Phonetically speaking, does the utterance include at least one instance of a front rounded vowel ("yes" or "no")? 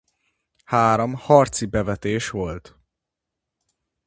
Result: no